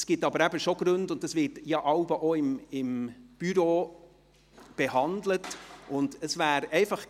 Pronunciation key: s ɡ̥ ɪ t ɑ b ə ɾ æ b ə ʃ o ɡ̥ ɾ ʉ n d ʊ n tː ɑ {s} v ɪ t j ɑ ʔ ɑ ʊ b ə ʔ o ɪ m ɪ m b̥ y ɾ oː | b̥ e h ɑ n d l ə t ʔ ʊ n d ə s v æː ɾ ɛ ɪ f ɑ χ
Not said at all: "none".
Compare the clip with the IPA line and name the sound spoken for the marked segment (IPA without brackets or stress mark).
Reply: s